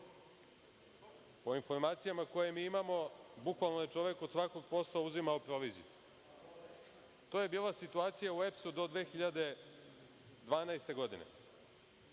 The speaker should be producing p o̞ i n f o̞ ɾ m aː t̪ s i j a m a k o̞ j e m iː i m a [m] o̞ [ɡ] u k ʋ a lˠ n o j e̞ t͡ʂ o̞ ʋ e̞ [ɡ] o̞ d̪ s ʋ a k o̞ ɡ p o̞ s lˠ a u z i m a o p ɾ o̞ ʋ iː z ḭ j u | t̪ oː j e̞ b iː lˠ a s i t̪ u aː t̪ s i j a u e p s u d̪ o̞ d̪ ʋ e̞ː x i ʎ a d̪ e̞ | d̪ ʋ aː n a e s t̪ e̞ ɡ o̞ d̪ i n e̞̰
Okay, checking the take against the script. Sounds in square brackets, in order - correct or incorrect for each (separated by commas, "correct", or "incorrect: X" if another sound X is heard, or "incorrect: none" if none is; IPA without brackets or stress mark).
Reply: correct, incorrect: b, incorrect: k